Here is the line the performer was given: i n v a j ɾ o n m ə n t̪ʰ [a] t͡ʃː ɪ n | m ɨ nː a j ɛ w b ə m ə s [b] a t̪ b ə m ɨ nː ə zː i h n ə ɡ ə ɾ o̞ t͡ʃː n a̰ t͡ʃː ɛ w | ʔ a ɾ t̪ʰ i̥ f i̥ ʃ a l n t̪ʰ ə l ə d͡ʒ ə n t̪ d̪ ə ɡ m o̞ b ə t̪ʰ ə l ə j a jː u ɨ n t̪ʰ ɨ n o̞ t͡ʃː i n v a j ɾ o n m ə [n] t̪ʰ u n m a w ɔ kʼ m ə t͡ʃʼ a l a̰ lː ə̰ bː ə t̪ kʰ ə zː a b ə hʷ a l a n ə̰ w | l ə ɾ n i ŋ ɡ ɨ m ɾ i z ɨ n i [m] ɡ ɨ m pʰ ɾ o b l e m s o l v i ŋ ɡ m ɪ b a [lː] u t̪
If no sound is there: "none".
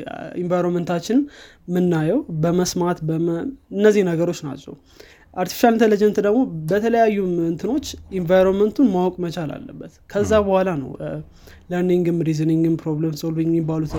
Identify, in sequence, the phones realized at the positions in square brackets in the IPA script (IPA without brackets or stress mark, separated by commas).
a, m, n, ŋ, l